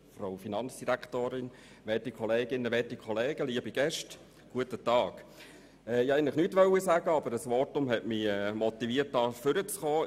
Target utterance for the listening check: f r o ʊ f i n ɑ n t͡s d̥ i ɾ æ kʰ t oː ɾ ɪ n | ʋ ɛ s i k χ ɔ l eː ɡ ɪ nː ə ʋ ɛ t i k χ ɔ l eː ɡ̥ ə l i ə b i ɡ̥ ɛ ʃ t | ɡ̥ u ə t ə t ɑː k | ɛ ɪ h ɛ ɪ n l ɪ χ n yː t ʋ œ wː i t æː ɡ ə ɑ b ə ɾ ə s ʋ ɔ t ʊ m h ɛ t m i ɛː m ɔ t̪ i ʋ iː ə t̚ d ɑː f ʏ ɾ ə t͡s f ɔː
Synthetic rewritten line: f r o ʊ f i n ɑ n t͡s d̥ i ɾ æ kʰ t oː ɾ ɪ n | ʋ ɛ t i k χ ɔ l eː ɡ ɪ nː ə ʋ ɛ t i k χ ɔ l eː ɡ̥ ə l i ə b i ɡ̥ ɛ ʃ t | ɡ̥ u ə t ə t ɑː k | ɛ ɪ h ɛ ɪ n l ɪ χ n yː t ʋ œ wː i s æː ɡ ə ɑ b ə ɾ ə s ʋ ɔ t ʊ m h ɛ t m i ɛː m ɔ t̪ i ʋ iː ə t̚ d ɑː f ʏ ɾ ə t͡s χ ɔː